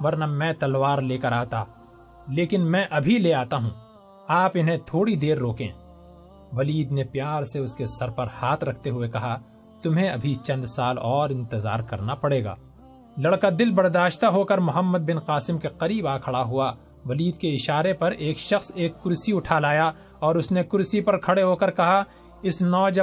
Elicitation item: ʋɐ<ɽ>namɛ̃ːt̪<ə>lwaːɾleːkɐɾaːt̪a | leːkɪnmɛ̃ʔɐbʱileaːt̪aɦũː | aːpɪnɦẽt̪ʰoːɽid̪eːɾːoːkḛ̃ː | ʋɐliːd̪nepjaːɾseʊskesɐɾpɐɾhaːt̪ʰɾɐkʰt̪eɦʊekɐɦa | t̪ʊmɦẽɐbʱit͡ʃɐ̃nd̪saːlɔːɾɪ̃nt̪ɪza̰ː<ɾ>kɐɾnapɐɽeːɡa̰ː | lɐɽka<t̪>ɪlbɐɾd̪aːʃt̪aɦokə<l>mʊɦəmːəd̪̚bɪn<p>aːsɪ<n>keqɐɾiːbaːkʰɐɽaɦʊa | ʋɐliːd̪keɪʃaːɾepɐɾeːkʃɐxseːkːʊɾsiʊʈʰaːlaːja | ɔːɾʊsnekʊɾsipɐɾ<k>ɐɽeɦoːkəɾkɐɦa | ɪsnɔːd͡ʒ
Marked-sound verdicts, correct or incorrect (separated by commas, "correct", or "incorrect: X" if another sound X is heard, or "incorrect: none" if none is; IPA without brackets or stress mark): incorrect: ɾ, incorrect: ɐ, correct, incorrect: d̪, incorrect: ɾ, incorrect: q, incorrect: m, incorrect: kʰ